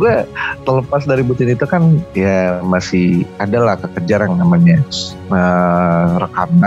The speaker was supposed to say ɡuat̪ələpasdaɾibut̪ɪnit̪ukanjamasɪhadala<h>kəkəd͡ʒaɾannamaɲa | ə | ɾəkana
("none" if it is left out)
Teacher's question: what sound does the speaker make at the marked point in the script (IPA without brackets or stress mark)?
h